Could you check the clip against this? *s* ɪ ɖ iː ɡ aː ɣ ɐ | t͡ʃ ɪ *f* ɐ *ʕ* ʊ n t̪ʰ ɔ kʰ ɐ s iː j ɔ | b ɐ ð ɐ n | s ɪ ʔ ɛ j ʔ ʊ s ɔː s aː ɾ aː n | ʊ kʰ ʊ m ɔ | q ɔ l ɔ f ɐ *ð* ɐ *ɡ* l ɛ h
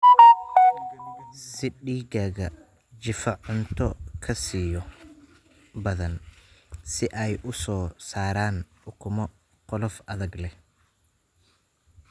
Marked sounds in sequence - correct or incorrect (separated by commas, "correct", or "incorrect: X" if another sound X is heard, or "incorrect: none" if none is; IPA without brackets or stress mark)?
correct, correct, correct, correct, correct